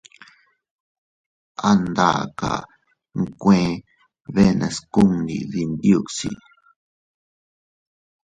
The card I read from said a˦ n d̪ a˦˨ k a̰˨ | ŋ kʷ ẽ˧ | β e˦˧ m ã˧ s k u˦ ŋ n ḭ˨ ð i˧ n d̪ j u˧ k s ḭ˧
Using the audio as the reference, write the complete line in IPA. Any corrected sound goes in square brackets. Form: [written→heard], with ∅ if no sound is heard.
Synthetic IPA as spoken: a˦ n d̪ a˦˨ k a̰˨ | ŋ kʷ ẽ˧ | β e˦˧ [m→n] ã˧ s k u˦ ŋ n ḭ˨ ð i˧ n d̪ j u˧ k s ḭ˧